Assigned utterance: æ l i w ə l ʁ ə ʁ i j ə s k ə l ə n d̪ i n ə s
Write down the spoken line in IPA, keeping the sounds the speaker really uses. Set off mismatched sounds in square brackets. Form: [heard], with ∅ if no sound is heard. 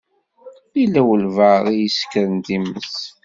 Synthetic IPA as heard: [i] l [æ] w ə l [v] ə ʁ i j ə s k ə [ɾ] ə n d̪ i [m] ə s

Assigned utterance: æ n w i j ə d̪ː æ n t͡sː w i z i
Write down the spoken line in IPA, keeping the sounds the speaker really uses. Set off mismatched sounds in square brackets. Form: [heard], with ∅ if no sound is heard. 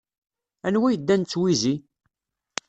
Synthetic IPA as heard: æ n w [æ] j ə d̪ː æ n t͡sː w i z i

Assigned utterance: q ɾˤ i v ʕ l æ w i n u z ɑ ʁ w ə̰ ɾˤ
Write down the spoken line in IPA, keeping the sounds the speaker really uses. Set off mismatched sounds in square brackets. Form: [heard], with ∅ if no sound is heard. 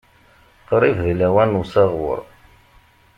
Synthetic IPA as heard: q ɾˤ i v [ð] l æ w [æ] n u [s] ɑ ʁ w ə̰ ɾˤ

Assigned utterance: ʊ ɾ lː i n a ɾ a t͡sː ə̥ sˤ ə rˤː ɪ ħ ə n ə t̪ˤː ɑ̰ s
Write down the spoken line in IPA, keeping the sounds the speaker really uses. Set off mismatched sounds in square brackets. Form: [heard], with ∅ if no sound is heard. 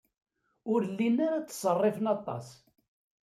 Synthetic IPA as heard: ʊ ɾ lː i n a ɾ a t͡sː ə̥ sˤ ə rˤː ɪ [f] ə n [ɑ] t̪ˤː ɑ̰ s

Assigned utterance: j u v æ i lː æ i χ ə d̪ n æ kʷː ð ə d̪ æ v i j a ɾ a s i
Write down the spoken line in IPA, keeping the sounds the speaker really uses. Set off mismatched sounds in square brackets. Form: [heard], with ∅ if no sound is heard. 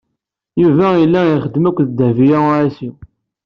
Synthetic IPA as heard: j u v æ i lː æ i χ ə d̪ [m] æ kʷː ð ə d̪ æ v i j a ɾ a s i

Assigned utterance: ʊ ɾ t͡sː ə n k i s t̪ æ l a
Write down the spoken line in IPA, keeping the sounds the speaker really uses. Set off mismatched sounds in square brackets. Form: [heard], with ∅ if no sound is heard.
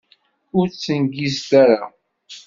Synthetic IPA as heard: ʊ ɾ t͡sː ə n [ɡ] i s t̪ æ [ɾ] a

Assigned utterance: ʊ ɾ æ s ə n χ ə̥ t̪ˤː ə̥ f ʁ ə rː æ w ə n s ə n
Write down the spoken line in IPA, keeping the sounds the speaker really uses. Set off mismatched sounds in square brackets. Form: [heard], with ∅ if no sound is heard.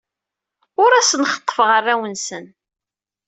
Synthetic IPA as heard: ʊ ɾ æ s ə n χ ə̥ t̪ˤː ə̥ f ʁ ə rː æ w ə n s ə n

